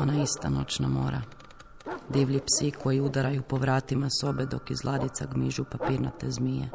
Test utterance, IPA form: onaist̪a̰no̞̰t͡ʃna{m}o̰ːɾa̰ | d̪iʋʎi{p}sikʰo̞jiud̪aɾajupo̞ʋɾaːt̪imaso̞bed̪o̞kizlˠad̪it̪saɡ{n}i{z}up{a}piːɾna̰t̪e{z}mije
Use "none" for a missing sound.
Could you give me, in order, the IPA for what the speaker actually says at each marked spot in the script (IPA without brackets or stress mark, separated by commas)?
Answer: m, p, m, ʒ, a, z